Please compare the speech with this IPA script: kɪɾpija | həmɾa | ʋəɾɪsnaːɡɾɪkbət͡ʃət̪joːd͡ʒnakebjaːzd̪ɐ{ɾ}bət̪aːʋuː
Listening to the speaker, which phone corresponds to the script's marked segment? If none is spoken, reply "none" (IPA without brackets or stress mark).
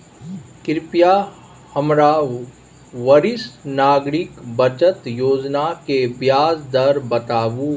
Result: ɾ